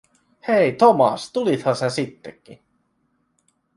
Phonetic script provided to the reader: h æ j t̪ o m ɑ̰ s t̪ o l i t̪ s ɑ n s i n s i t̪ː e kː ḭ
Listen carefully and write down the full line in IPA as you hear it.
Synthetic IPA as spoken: h e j t̪ o m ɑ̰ s t̪ u l i t̪ h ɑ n s e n s i t̪ː e kː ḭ

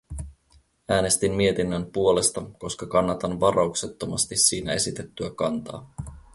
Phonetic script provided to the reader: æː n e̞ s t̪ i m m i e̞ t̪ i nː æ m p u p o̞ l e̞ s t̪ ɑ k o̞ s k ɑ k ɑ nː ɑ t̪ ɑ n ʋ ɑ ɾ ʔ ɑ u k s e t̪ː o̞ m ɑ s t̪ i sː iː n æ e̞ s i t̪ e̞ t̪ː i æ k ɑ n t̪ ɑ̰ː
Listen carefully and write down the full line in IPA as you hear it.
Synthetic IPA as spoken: æː n e̞ s t̪ i m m i e̞ t̪ i nː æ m p u o̞ l e̞ s t̪ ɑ k o̞ s k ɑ k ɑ nː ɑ t̪ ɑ n ʋ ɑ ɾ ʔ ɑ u k s e t̪ː o̞ m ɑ s t̪ i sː iː n æ e̞ s i t̪ e̞ t̪ː y æ k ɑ n t̪ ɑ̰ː

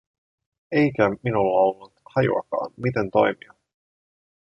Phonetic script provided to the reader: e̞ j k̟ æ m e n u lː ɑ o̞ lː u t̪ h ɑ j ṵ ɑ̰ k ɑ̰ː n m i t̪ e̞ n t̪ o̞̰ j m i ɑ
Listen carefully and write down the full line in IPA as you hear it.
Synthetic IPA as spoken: e̞ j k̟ æ m i n u lː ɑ o̞ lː u t̪ h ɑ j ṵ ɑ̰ k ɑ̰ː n m i t̪ e̞ n t̪ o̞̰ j m i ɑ

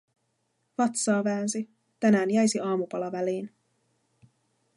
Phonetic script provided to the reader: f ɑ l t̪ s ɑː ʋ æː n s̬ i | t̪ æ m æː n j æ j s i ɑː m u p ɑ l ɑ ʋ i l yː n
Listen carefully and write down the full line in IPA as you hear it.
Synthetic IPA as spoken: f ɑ t̪ s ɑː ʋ æː n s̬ i | t̪ æ n æː n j æ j s i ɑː m u p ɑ l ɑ ʋ æ l iː n

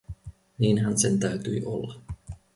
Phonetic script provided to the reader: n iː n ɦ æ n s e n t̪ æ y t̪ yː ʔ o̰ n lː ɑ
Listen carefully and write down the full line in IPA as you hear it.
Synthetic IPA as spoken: n iː n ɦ æ n s e n t̪ æ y t̪ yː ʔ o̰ lː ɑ

